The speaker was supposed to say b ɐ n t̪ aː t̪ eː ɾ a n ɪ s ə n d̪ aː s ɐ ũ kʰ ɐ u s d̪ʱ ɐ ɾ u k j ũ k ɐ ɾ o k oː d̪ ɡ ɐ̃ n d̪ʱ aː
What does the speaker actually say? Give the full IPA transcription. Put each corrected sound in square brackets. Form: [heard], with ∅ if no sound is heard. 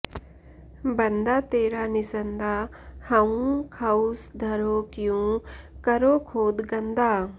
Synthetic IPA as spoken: b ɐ n [d̪] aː t̪ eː ɾ a n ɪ s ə n d̪ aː [h] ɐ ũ kʰ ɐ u s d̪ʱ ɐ ɾ [o] k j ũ k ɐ ɾ o [kʰ] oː d̪ ɡ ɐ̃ n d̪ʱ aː